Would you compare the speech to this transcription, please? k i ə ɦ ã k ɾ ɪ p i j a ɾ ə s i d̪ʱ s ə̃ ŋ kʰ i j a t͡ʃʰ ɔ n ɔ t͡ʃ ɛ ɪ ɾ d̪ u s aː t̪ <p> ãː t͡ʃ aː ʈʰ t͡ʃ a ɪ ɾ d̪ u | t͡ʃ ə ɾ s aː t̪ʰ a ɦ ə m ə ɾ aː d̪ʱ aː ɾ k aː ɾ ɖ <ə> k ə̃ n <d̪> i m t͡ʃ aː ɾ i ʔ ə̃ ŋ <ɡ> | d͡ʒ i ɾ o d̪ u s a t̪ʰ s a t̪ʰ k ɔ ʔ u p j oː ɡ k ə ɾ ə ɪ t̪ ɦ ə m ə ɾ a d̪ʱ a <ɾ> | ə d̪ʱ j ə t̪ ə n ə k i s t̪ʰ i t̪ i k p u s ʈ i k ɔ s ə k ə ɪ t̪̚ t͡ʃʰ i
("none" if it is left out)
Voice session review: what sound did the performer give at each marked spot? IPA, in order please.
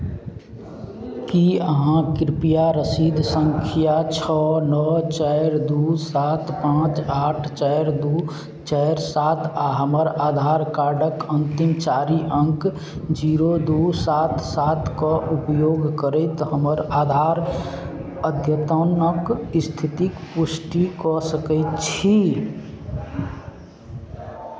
p, ə, t̪, k, ɾ

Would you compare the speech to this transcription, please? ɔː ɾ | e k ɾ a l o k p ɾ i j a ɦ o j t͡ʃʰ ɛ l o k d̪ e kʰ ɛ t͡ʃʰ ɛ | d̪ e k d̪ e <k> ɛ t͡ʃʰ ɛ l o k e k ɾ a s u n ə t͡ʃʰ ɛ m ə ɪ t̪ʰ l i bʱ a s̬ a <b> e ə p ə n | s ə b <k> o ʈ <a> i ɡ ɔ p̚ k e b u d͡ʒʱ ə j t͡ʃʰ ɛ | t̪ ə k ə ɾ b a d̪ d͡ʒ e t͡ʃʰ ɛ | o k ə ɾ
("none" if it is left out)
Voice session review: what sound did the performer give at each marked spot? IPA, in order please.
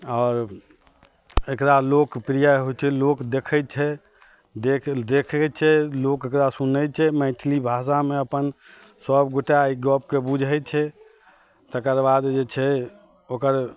kʰ, m, ɡ, a

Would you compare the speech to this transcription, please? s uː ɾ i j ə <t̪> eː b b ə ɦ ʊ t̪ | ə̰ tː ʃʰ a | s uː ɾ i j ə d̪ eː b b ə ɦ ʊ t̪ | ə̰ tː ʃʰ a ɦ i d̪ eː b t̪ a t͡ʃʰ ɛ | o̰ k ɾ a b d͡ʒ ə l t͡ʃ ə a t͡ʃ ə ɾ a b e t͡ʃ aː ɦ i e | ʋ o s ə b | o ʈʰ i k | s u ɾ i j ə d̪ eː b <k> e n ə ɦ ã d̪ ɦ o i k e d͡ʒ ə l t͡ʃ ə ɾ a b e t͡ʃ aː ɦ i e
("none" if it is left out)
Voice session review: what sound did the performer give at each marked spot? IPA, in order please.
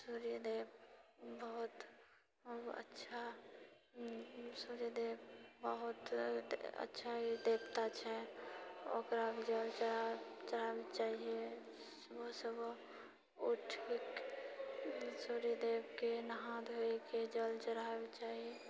d̪, k

